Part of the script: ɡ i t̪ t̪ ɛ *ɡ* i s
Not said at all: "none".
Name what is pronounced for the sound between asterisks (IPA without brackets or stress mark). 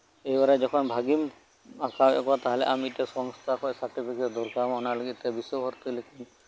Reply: b